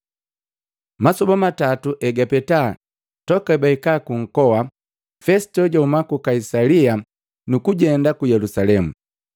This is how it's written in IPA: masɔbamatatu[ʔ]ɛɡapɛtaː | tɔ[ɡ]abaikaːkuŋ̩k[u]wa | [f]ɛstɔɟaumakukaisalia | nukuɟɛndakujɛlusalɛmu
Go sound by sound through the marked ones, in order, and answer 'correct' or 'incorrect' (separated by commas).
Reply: correct, incorrect, incorrect, correct